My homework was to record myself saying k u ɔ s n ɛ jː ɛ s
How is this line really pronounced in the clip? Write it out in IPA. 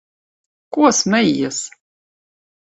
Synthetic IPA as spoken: k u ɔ s m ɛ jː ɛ s